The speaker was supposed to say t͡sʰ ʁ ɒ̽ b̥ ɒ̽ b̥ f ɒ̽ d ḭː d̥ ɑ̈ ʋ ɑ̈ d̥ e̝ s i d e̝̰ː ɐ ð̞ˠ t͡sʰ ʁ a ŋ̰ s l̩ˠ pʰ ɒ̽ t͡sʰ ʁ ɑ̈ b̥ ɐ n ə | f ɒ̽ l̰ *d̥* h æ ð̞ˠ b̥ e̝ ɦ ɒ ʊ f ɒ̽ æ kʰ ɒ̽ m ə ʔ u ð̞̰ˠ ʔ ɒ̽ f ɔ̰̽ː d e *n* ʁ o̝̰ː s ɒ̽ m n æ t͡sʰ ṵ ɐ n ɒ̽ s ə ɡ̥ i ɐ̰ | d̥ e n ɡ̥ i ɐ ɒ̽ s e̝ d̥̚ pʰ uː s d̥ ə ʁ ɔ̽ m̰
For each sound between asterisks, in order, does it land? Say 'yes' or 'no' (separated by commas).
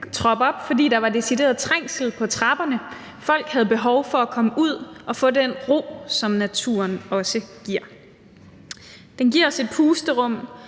no, yes